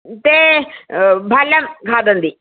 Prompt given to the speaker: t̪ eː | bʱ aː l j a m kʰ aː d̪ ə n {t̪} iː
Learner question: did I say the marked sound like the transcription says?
no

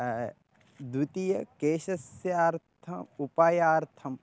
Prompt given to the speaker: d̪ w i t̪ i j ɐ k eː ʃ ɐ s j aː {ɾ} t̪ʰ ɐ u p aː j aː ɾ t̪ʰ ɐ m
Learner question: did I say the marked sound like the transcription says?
yes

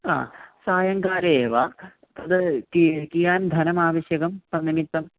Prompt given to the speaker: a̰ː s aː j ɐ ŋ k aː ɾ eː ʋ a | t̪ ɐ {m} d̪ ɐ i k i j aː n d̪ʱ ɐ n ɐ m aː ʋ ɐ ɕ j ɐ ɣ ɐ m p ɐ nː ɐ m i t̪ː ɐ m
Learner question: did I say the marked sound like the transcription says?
no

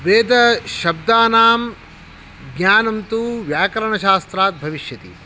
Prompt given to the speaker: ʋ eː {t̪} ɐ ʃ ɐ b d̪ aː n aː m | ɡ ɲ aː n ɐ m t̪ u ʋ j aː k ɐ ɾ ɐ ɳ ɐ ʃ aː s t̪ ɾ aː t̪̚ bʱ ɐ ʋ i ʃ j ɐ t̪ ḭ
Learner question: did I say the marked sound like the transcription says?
no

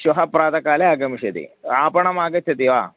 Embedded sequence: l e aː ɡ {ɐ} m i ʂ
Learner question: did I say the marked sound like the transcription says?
yes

